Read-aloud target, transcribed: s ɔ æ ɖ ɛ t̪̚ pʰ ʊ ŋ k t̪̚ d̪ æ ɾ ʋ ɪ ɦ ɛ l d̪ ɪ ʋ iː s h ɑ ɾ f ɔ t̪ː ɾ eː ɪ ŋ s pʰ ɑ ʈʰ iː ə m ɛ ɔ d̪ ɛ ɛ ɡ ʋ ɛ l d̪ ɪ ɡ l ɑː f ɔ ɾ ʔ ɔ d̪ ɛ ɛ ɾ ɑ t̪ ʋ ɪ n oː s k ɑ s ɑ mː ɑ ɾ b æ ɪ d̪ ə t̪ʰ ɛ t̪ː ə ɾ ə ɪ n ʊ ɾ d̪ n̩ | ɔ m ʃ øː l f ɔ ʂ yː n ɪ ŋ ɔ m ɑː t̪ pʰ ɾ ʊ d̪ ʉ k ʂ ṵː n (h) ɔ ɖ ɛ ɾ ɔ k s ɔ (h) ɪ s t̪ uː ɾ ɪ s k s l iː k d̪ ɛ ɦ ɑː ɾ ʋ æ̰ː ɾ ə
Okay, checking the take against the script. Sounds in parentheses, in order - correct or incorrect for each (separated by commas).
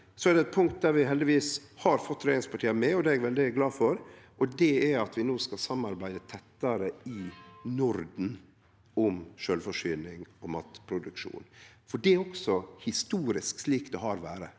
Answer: incorrect, correct